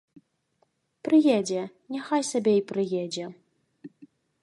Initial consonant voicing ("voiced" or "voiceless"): voiceless